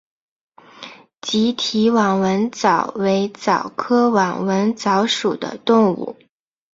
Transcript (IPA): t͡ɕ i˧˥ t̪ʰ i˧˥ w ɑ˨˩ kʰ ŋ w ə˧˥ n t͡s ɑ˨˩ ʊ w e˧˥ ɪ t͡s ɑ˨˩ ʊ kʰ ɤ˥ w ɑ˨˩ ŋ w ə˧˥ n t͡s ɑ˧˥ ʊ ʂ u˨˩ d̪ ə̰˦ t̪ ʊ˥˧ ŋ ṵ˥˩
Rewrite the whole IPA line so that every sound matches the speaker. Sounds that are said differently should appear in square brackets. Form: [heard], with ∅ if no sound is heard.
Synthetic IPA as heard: t͡ɕ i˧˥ t̪ʰ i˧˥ w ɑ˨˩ [∅] ŋ w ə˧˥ n t͡s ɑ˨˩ ʊ w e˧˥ ɪ t͡s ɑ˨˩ ʊ kʰ ɤ˥ w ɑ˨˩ ŋ w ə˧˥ n t͡s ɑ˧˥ ʊ ʂ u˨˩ d̪ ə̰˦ t̪ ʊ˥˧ ŋ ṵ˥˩